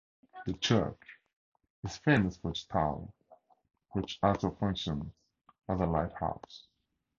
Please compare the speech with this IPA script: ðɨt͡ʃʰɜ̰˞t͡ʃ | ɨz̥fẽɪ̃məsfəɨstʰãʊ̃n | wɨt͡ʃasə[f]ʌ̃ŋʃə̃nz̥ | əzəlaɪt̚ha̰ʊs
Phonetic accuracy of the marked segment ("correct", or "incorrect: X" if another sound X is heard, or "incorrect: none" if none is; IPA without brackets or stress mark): correct